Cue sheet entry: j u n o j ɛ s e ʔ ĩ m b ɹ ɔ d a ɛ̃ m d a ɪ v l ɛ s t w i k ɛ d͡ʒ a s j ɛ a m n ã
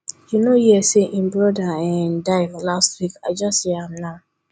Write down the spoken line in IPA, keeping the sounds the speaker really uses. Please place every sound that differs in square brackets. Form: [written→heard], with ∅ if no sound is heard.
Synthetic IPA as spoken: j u n o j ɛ s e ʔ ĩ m b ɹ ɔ d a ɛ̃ [m→n] d a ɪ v l [ɛ→a] s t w i k [ɛ→a] d͡ʒ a s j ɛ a m n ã